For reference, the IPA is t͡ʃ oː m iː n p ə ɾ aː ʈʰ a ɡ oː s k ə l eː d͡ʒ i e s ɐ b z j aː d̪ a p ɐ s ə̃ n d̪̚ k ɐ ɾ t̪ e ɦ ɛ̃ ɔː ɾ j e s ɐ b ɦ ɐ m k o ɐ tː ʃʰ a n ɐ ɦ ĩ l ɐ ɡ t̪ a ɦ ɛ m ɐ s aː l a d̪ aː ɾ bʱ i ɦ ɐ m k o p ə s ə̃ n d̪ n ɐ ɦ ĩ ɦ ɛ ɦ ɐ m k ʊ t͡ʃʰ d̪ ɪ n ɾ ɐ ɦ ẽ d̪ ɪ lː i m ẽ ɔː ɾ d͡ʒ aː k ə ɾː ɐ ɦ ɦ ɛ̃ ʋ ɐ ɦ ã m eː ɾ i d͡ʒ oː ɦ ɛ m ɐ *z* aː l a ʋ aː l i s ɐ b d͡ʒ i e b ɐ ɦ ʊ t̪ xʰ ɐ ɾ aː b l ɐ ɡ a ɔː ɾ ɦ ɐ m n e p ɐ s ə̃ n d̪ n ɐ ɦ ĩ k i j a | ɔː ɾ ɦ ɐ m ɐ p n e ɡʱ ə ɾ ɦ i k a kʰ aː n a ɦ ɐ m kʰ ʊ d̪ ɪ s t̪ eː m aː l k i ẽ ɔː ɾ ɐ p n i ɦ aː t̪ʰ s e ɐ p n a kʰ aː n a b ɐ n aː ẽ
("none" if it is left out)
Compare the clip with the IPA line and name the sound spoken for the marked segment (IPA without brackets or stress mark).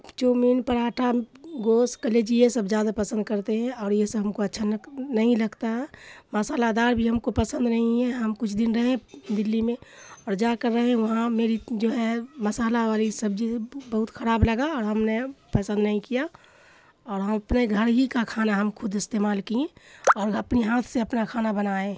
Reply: s